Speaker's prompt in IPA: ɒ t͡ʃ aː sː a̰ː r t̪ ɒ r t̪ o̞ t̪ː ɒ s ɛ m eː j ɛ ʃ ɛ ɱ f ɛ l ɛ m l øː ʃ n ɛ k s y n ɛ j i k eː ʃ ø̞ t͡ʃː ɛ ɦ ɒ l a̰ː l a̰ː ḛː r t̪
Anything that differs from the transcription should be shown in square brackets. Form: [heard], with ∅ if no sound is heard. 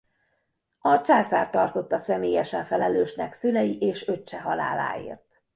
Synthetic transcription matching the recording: ɒ t͡ʃ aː [s] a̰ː r t̪ ɒ r t̪ o̞ t̪ː ɒ s ɛ m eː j ɛ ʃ ɛ ɱ f ɛ l ɛ [∅] l øː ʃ n ɛ k s y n ɛ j i [ʔ] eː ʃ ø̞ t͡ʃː ɛ ɦ ɒ l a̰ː l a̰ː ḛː r t̪